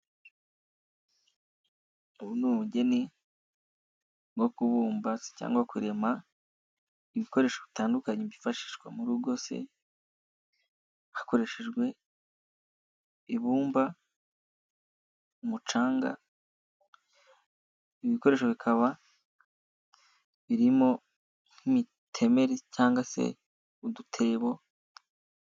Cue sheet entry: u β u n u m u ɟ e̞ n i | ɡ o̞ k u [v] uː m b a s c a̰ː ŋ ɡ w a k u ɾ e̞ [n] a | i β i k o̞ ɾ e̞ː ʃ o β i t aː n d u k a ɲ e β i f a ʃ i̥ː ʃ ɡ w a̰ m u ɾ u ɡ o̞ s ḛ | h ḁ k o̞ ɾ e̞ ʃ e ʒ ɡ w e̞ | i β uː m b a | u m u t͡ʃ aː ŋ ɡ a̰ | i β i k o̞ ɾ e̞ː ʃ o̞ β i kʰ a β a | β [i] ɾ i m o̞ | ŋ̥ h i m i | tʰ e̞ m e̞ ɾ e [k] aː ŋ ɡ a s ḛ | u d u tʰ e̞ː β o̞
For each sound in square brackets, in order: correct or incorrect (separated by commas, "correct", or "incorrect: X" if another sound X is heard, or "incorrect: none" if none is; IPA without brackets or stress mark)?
incorrect: β, incorrect: m, correct, incorrect: c